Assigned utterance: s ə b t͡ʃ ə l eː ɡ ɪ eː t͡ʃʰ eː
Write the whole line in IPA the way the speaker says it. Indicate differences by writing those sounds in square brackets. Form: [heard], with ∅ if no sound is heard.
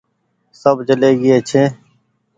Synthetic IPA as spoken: s ə b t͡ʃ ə l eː ɡ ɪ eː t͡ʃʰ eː